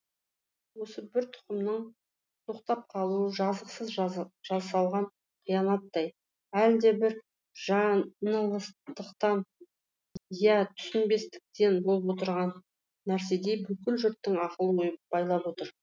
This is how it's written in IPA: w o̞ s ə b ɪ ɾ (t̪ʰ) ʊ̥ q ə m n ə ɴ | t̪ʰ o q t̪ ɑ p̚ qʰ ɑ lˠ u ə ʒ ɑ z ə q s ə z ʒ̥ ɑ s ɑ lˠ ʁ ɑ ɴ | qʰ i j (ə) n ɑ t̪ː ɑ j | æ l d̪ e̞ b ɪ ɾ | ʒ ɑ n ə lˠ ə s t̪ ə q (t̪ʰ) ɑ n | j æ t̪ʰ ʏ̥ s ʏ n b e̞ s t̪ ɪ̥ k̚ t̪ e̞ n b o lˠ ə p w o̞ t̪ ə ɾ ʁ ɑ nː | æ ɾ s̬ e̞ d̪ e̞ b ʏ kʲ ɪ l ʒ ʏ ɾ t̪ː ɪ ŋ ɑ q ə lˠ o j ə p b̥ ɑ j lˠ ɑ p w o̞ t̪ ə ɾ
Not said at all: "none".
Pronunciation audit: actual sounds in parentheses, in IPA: t̪ʰ, ɑ, t̪

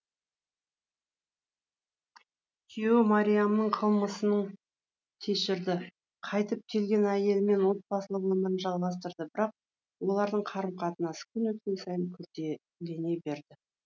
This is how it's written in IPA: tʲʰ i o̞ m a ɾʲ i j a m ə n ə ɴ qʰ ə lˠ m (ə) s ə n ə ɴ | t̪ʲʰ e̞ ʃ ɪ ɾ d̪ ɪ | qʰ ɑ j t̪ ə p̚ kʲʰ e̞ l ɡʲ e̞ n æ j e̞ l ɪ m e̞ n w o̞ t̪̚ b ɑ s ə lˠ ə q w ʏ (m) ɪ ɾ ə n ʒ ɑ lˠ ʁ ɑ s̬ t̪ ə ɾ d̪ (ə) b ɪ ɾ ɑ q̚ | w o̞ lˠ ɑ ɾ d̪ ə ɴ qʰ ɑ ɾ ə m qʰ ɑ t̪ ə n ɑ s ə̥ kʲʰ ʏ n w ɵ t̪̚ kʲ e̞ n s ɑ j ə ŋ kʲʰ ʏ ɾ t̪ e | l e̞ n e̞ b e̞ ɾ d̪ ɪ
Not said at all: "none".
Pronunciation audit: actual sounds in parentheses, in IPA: ə, m, ə

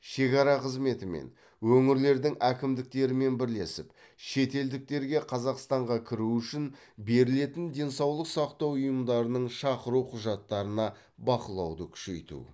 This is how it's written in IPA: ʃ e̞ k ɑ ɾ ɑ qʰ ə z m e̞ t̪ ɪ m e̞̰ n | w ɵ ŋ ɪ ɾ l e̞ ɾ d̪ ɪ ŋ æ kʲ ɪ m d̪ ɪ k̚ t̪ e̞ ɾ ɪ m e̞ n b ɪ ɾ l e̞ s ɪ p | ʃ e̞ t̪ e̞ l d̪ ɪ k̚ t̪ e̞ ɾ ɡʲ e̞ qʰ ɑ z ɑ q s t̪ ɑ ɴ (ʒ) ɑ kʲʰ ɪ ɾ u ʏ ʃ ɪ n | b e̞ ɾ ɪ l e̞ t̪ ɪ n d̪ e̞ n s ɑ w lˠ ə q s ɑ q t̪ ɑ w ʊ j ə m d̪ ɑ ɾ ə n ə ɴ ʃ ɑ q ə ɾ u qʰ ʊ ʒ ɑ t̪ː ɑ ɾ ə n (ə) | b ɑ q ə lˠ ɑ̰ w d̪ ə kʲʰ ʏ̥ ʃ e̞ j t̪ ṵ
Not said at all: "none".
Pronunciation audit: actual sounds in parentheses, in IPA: ʁ, ɑ

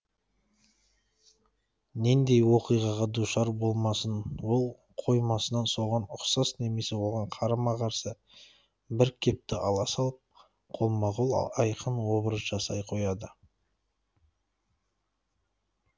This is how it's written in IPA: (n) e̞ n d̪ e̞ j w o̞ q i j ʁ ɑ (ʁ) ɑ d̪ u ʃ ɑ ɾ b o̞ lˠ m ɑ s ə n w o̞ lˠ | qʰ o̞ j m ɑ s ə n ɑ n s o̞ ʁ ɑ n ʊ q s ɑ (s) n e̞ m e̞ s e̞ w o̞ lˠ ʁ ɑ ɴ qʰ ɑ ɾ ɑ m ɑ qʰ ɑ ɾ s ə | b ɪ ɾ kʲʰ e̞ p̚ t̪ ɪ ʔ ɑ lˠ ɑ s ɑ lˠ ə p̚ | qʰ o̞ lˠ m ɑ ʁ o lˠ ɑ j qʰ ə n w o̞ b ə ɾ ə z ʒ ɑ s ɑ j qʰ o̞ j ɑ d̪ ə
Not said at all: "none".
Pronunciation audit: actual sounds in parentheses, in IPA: n, ʁ, s

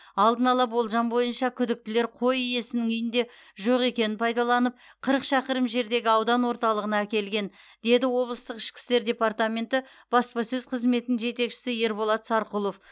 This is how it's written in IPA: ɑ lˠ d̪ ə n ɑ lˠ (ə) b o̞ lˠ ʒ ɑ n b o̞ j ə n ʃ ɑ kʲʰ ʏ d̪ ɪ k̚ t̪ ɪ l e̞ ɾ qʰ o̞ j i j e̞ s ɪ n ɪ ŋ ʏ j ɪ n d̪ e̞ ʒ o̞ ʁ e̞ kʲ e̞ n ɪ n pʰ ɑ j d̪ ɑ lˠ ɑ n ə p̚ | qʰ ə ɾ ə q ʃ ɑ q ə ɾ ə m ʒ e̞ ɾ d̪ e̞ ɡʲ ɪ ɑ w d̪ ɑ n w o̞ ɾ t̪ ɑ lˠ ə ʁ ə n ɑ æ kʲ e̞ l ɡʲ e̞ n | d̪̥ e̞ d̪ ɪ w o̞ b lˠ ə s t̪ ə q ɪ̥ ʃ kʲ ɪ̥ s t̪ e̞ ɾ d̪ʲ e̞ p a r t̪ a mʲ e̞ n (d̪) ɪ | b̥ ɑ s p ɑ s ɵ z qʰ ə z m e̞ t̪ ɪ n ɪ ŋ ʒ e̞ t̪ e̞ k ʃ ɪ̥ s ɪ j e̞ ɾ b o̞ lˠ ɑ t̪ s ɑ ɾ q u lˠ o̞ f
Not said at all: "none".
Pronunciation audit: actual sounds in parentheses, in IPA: ɑ, t̪

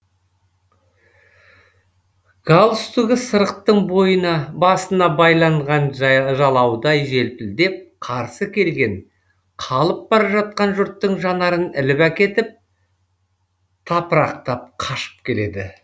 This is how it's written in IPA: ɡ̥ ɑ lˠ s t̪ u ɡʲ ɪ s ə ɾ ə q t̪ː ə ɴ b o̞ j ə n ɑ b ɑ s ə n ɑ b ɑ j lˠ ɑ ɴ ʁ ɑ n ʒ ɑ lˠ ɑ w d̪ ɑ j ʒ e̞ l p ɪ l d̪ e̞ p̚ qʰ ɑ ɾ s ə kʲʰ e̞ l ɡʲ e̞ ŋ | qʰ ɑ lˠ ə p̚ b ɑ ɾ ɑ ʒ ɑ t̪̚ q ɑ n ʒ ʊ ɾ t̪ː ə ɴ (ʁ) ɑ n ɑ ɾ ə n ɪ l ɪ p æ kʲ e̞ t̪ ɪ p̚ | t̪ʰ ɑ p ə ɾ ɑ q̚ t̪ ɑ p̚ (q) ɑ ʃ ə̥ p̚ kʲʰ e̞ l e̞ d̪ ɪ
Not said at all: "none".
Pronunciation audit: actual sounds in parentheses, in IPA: ʒ, qʰ

